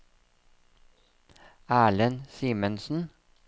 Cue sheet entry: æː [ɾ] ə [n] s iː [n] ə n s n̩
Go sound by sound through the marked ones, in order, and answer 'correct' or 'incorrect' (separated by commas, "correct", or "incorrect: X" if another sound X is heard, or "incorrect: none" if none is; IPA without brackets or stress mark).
incorrect: ɭ, correct, incorrect: m